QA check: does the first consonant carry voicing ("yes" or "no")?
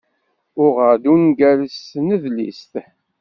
yes